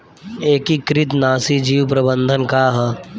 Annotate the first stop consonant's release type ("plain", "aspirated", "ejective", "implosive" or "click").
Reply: plain